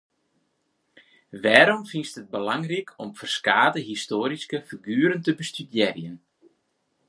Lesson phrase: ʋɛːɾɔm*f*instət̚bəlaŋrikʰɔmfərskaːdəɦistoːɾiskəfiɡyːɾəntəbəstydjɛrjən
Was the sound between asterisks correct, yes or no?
yes